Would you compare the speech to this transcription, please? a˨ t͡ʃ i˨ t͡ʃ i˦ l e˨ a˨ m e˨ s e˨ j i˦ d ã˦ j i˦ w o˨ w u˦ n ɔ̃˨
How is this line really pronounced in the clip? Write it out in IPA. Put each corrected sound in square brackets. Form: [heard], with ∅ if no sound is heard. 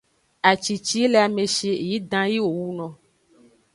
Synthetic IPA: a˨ t͡ʃ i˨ t͡ʃ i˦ l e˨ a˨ m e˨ [ʃ] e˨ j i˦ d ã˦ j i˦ w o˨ w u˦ n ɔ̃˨